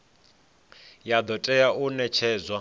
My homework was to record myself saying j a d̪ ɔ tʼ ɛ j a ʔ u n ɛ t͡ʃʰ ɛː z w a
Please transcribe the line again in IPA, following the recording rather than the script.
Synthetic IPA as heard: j a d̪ ɔ tʼ ɛ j a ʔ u n ɛ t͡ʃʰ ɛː z w a